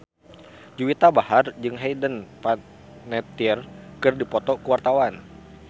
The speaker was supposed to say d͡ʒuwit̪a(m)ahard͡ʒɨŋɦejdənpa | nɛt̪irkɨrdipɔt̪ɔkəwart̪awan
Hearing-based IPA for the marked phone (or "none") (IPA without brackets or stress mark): b